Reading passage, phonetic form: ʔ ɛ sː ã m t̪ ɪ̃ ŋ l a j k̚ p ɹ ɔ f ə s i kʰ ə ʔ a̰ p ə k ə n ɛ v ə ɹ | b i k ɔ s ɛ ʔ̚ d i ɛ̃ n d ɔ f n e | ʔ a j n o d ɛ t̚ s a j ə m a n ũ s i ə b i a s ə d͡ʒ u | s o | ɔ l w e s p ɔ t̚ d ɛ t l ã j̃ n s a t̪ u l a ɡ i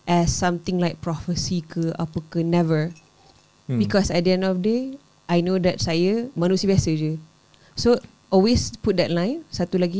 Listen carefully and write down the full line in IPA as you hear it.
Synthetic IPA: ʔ ɛ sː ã m t̪ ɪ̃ ŋ l a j k̚ p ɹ ɔ f ə s i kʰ ə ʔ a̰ p ə k ə n ɛ v ə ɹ | b i k ɔ s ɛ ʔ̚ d i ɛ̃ n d ɔ f d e | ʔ a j n o d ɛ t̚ s a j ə m a n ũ s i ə b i a s ə d͡ʒ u | s o | ɔ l w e s p u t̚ d ɛ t l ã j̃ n s a t̪ u l a ɡ i